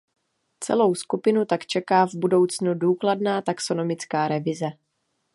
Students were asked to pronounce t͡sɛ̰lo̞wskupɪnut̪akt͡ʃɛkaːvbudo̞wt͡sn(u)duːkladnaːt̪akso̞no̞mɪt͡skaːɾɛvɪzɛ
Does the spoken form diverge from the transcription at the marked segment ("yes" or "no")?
no